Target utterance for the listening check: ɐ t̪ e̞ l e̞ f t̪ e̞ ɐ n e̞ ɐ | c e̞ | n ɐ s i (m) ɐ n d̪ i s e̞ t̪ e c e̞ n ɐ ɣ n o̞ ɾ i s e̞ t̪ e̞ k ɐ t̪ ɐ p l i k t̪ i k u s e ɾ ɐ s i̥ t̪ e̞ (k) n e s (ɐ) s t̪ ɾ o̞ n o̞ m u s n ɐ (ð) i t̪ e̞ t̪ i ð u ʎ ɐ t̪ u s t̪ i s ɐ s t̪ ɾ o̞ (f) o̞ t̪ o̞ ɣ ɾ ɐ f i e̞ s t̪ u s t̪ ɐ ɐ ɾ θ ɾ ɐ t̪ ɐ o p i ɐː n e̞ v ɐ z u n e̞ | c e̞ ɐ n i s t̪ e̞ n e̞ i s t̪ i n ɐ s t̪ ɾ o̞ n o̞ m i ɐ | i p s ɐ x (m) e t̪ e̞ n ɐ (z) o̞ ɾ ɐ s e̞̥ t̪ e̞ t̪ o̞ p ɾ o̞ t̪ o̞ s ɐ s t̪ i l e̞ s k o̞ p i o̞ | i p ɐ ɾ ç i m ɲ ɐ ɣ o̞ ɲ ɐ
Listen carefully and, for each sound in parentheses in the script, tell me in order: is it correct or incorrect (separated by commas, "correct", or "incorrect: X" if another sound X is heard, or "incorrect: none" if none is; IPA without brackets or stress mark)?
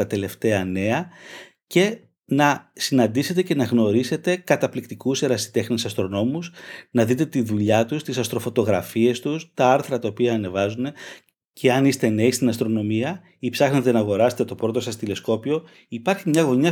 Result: incorrect: n, incorrect: x, correct, correct, correct, incorrect: n, incorrect: ɣ